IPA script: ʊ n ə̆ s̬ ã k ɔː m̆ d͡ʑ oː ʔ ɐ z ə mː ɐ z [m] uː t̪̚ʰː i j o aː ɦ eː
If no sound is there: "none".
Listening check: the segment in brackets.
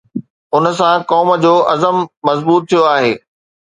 b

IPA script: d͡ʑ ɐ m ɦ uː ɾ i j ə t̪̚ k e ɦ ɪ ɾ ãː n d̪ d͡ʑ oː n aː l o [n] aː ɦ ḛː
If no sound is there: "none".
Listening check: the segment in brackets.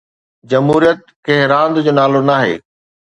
n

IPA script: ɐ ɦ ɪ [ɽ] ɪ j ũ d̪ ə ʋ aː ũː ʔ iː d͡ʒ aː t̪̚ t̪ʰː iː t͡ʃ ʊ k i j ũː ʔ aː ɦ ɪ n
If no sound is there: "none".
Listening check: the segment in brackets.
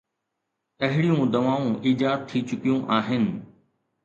ɽ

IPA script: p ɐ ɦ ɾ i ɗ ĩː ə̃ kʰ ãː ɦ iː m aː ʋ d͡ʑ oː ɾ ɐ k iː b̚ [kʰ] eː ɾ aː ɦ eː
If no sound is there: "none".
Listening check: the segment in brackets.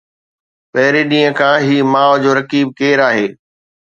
k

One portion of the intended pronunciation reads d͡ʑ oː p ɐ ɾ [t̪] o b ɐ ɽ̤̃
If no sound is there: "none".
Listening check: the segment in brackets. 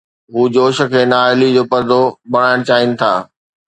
d̪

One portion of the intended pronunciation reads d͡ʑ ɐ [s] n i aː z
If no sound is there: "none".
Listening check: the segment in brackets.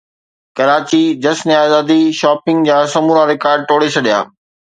s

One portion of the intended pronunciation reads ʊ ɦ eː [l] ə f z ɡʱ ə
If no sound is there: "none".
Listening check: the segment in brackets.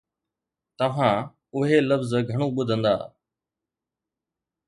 l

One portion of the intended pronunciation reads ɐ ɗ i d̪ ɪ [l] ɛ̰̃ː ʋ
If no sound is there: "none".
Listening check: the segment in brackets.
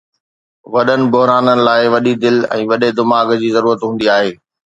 l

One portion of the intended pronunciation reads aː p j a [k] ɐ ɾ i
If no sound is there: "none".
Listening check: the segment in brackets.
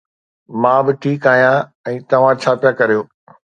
k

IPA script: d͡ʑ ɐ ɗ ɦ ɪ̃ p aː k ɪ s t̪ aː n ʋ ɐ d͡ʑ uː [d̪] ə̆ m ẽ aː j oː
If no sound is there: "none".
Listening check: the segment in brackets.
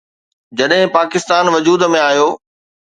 d̪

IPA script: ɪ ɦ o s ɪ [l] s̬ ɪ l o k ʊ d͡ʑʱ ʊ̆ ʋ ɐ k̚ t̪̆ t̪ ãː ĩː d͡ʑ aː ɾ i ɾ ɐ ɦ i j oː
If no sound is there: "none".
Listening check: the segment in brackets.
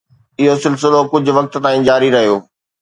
l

